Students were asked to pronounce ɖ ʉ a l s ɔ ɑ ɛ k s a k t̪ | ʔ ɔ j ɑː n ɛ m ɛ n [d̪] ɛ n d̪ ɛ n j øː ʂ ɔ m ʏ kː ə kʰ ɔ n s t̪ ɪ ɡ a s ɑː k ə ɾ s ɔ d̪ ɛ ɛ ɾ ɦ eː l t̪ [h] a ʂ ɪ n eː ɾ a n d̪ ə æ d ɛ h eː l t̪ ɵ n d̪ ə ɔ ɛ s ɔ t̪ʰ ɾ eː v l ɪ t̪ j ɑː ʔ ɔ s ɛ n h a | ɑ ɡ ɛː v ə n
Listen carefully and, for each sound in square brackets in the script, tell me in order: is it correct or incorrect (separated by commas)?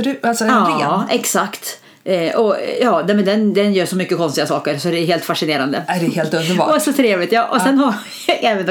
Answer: correct, incorrect